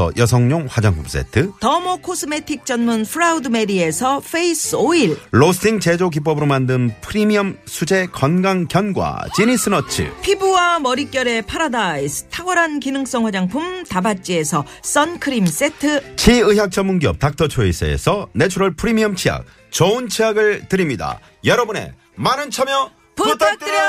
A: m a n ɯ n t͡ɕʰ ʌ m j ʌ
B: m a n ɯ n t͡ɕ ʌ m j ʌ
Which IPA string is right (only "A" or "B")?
A